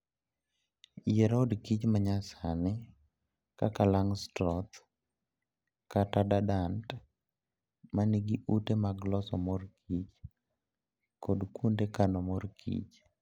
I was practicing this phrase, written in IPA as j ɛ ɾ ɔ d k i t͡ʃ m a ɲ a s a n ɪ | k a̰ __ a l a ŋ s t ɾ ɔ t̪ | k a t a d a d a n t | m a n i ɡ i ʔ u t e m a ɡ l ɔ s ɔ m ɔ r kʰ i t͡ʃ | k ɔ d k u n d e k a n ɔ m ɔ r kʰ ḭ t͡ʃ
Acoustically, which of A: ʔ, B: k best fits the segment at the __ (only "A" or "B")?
B